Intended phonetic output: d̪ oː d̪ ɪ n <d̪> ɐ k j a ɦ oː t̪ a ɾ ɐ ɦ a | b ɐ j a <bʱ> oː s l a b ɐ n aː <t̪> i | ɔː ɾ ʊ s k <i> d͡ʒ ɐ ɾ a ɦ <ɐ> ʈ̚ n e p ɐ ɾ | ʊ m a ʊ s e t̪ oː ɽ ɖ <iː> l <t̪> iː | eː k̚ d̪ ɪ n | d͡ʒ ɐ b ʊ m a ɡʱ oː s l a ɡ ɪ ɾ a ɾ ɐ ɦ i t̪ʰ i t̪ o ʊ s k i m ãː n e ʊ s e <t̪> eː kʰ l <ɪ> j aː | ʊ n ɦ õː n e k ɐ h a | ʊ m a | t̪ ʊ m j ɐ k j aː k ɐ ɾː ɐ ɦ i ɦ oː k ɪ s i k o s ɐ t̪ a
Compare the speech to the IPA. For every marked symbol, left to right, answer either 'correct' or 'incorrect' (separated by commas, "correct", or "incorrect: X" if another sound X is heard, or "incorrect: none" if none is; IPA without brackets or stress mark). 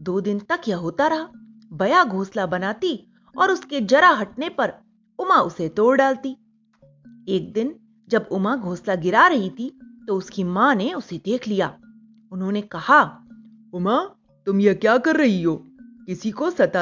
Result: incorrect: t̪, incorrect: ɡʱ, correct, incorrect: e, correct, incorrect: aː, correct, incorrect: d̪, incorrect: i